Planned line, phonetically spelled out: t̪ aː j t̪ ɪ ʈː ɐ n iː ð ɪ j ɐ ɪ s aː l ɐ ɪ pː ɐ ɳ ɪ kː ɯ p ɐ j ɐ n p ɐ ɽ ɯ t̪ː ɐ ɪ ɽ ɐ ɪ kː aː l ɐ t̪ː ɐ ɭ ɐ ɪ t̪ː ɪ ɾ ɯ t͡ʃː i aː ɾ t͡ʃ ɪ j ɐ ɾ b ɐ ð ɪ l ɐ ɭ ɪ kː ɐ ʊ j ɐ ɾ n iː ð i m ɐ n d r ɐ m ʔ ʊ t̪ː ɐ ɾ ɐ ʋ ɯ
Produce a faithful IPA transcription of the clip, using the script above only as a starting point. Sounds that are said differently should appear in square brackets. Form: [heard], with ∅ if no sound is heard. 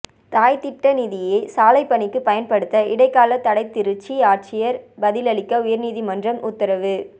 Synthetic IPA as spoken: t̪ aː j t̪ ɪ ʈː ɐ n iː ð ɪ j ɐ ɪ s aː l ɐ ɪ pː ɐ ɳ ɪ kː ɯ p ɐ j ɐ n p ɐ ɽ ɯ t̪ː ɐ ɪ ɽ ɐ ɪ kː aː l ɐ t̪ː ɐ [ɽ] ɐ ɪ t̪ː ɪ ɾ ɯ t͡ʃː i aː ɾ t͡ʃ ɪ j ɐ ɾ b ɐ ð ɪ l ɐ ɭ ɪ kː ɐ ʊ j ɐ ɾ n iː ð i m ɐ n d r ɐ m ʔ ʊ t̪ː ɐ ɾ ɐ ʋ ɯ